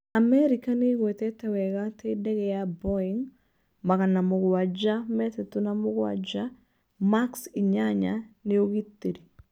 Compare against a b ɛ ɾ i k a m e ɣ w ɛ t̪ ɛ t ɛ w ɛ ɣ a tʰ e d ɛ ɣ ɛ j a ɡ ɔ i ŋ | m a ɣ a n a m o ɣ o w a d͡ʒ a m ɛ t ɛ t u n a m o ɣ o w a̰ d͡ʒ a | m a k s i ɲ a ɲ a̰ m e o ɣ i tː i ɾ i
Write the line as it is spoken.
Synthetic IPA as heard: a m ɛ ɾ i k a n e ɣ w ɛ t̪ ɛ t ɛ w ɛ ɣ a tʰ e d ɛ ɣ ɛ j a b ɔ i ŋ | m a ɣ a n a m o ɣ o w a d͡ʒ a m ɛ t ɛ t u n a m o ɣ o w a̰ d͡ʒ a | m a k s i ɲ a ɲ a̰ n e o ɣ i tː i ɾ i